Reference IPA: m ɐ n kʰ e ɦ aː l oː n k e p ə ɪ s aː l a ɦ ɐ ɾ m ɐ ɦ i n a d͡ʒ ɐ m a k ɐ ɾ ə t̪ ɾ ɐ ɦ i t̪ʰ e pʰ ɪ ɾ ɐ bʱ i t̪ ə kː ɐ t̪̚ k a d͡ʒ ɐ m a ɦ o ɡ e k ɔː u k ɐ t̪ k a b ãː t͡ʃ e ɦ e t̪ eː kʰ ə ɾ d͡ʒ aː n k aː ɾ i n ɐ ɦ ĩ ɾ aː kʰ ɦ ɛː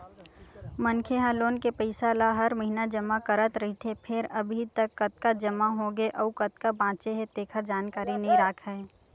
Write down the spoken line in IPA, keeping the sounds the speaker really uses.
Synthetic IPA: m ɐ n kʰ e ɦ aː l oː n k e p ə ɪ s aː l a ɦ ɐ ɾ m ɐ ɦ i n a d͡ʒ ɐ m a k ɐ ɾ ə t̪ ɾ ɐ ɦ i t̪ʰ e pʰ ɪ ɾ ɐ bʱ i t̪ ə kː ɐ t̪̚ k a d͡ʒ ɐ m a ɦ o ɡ e ʔ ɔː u k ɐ t̪ k a b ãː t͡ʃ e ɦ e t̪ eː kʰ ə ɾ d͡ʒ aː n k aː ɾ i n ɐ ɦ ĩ ɾ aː kʰ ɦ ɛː